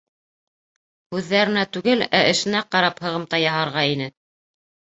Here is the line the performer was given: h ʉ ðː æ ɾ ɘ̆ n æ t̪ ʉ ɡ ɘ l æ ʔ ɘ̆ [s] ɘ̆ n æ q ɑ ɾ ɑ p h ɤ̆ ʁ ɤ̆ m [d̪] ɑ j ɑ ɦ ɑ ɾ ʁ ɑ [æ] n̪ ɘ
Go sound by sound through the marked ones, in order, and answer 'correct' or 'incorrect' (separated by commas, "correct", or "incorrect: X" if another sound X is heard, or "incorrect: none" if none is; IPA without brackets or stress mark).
incorrect: ʃ, incorrect: t̪, incorrect: i